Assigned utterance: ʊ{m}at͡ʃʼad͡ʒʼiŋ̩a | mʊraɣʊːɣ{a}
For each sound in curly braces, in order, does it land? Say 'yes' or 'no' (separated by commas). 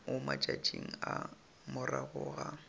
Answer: yes, yes